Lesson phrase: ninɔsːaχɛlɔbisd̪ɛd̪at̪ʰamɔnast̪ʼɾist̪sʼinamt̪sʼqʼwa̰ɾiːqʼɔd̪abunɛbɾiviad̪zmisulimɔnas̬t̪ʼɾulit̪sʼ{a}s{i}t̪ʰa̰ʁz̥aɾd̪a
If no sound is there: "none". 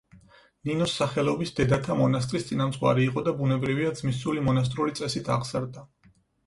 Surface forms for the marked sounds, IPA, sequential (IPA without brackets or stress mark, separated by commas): ɛ, i